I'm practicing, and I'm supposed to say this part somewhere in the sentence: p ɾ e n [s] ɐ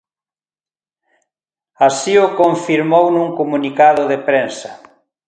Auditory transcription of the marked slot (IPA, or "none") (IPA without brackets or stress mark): s